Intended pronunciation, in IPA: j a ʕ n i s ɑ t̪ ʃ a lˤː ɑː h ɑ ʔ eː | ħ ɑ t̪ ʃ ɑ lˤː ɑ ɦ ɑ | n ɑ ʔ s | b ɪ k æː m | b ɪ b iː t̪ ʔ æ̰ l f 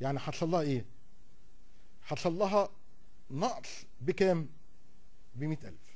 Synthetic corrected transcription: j a ʕ n i ħ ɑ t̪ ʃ ɑ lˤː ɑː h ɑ ʔ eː | ħ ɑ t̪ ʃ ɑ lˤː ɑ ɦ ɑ | n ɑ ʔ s | b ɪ k æː m | b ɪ m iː t̪ ʔ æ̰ l f